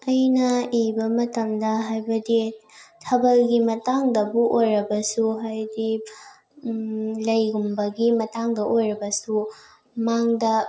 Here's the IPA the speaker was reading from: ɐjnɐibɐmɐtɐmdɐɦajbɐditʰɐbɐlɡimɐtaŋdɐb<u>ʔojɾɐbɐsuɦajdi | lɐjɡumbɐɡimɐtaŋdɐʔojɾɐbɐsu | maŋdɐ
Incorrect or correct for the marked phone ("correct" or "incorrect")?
correct